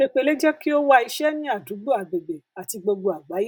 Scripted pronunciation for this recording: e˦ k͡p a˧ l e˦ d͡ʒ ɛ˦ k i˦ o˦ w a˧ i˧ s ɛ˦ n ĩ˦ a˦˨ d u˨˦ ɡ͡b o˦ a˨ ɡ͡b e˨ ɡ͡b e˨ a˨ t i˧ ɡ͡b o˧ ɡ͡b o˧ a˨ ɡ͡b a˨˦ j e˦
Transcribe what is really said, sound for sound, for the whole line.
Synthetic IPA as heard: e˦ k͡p e˧ l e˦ d͡ʒ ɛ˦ k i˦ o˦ w a˧ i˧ ʃ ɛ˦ n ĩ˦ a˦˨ d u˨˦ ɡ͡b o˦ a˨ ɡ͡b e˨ ɡ͡b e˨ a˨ t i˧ ɡ͡b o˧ ɡ͡b o˧ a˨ ɡ͡b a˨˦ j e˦